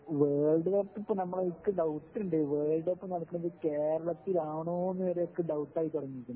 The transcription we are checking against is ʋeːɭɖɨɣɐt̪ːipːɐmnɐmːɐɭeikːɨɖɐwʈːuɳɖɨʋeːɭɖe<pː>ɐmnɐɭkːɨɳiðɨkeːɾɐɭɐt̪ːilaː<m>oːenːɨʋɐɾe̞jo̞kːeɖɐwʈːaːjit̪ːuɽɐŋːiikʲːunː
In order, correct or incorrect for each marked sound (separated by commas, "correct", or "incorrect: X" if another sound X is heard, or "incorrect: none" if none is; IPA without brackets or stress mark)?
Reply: correct, incorrect: ɳ